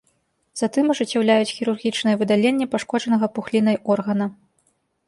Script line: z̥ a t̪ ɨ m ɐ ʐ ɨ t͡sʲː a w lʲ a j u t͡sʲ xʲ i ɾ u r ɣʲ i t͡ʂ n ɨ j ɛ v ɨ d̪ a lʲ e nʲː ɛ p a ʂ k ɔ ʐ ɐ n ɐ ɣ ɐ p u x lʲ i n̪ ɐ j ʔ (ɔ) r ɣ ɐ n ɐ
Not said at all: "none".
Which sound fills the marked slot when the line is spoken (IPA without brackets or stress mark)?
ɔ